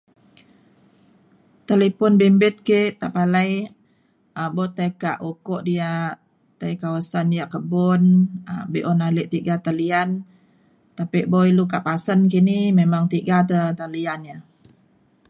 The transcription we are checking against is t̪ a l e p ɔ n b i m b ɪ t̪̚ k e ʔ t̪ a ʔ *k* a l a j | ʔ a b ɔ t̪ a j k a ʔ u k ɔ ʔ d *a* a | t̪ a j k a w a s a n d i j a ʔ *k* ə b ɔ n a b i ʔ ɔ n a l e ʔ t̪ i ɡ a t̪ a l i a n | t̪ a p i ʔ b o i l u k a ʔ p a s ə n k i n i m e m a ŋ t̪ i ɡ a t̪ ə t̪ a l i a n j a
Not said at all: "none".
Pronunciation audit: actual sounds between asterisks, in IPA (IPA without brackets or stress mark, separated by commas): p, i, k